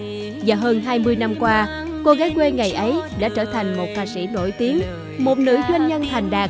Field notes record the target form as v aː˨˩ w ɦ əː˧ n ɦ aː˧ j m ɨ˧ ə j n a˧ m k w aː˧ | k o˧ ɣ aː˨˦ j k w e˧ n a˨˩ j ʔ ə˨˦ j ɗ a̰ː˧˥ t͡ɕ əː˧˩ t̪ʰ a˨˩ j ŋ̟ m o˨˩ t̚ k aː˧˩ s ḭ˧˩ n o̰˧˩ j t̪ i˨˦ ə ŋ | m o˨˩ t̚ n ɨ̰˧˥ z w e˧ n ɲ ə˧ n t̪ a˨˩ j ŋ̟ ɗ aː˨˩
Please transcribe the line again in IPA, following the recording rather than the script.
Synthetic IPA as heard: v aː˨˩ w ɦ əː˧ n ɦ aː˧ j m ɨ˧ ə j n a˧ m k w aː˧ | k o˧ ɣ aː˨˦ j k w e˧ ŋ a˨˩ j ʔ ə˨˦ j ɗ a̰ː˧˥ t͡ɕ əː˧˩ t̪ʰ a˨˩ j ŋ̟ m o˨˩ t̚ k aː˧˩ s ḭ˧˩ n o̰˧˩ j t̪ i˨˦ ə ŋ | m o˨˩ t̚ n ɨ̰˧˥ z w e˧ n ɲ ə˧ n t̪ʰ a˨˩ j ŋ̟ ɗ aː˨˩